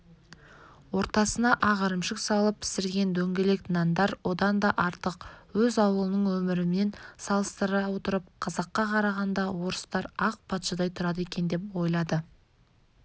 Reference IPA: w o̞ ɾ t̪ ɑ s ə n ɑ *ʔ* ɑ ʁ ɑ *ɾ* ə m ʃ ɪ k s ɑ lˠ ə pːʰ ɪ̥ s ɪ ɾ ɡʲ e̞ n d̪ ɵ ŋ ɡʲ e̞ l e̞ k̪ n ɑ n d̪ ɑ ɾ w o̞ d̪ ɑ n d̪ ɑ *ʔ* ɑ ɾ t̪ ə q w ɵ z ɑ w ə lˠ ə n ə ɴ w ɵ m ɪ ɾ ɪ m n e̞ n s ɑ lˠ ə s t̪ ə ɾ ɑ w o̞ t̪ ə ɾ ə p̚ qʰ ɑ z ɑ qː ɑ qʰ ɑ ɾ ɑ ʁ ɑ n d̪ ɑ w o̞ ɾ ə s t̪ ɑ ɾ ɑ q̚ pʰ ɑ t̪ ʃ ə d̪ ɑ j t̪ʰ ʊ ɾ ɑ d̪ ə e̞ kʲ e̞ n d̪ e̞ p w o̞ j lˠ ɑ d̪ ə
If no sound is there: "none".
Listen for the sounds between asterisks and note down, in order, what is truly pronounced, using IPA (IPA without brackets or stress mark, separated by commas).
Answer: ʔ, ɾ, ʔ